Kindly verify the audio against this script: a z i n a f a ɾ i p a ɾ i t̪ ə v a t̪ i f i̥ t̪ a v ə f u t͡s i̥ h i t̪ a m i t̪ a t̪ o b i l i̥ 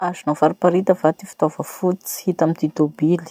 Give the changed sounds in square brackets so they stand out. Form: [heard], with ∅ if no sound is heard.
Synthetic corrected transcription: a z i n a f a ɾ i p a ɾ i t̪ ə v a t̪ i f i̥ t̪ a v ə f u t͡s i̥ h i t̪ a m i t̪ [i] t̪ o b i l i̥